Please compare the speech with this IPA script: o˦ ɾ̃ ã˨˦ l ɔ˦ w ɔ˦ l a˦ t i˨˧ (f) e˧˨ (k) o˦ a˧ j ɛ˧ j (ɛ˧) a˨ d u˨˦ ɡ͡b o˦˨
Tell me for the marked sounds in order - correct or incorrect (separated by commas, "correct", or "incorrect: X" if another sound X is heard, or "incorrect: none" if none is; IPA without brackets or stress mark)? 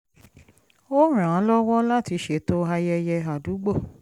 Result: incorrect: ʃ, incorrect: t, correct